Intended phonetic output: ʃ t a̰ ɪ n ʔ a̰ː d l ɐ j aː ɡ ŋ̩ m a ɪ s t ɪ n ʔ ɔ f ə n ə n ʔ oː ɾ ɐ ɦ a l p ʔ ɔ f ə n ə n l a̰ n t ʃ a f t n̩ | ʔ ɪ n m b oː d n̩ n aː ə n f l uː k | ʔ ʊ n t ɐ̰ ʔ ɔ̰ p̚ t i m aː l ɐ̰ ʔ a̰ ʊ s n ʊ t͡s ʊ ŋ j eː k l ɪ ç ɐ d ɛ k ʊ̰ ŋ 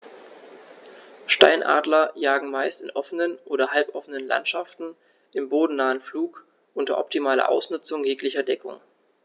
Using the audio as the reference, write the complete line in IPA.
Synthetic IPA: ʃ t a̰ ɪ n ʔ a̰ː d l ɐ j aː ɡ ŋ̩ m a ɪ s t ɪ n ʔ ɔ f ə n ə n ʔ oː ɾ ɐ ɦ a l p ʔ ɔ f ə n ə n l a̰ n t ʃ a f t n̩ | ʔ ɪ m b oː d n̩ n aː ə n f l uː k | ʔ ʊ n t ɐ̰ ʔ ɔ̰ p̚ t i m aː l ɐ̰ ʔ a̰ ʊ s n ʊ t͡s ʊ ŋ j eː k l ɪ ç ɐ d ɛ k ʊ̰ ŋ